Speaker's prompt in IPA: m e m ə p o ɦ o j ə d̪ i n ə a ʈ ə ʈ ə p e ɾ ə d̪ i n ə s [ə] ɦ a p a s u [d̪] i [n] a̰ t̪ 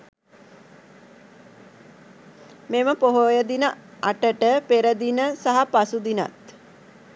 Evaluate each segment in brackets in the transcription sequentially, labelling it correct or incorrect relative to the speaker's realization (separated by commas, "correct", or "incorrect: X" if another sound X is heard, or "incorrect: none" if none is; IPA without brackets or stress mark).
incorrect: a, correct, correct